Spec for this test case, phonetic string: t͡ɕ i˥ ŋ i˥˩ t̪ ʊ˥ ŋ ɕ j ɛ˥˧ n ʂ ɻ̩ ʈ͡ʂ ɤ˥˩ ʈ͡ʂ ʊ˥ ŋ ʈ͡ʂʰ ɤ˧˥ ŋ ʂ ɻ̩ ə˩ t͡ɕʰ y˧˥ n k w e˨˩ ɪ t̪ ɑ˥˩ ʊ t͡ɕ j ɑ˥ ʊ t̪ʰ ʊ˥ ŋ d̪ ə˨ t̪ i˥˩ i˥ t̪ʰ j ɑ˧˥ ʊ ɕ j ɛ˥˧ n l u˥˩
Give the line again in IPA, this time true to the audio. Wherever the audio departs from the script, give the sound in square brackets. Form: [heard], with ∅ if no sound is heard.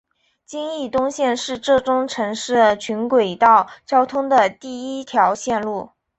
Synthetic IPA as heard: t͡ɕ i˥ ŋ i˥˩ t̪ ʊ˥ ŋ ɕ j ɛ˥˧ n ʂ ɻ̩ ʈ͡ʂ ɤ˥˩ ʈ͡ʂ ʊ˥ ŋ ʈ͡ʂʰ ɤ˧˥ ŋ ʂ ɻ̩ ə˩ t͡ɕʰ y˧˥ n k w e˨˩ ɪ t̪ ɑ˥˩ ʊ t͡ɕ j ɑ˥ ʊ t̪ʰ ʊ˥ ŋ d̪ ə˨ t̪ i˥˩ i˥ t̪ʰ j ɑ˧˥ ʊ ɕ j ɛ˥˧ n l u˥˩